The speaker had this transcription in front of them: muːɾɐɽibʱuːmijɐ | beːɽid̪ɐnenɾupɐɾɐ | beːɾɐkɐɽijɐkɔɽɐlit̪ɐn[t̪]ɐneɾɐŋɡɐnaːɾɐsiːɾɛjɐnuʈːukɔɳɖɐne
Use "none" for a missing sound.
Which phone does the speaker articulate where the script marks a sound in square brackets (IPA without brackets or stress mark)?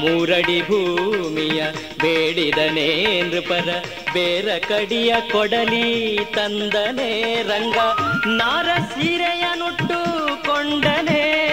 d̪